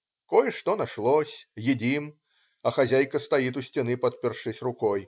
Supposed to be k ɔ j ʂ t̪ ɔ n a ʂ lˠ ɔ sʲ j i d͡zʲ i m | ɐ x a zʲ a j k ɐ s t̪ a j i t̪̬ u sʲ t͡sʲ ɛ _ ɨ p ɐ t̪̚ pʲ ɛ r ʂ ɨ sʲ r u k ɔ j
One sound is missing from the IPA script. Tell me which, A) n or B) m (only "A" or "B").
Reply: A